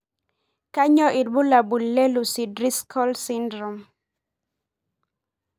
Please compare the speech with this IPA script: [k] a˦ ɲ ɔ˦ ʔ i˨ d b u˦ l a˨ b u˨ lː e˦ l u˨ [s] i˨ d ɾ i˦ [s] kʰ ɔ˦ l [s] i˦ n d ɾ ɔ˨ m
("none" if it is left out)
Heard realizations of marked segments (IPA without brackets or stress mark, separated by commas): k, s, s, s